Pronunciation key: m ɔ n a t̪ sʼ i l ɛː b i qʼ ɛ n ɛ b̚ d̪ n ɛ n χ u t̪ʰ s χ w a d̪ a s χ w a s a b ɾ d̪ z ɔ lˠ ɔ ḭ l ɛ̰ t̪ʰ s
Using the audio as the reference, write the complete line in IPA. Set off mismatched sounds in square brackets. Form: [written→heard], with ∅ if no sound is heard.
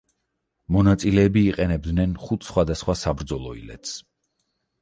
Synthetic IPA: m ɔ n a t̪ sʼ i l ɛː b [i→iː] qʼ ɛ n ɛ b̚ d̪ n ɛ n χ u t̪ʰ s χ w a d̪ a s χ w a s a b ɾ d̪ z ɔ lˠ ɔ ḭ l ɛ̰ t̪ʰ s